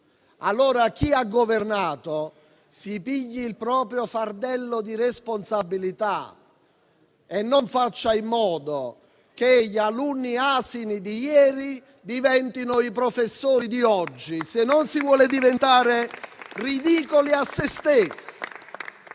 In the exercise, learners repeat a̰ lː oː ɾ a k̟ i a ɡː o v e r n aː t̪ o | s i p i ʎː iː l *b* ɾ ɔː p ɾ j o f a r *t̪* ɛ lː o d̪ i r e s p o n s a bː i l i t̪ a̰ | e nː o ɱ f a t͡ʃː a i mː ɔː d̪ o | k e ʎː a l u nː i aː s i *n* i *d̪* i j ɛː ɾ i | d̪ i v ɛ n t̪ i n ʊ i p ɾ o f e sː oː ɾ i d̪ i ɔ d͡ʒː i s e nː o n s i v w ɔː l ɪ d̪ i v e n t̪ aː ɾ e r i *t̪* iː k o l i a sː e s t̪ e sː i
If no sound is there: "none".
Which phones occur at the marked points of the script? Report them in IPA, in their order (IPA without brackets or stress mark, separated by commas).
p, d̪, n, d̪, d̪